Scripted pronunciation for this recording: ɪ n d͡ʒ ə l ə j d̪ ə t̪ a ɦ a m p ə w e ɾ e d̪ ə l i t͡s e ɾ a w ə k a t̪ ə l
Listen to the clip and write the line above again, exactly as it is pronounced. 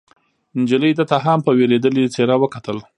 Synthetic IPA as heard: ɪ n d͡ʒ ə l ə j d̪ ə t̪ a ɦ a m p ə w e ɾ e d̪ ə l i t͡s e ɾ a w ə k a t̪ ə l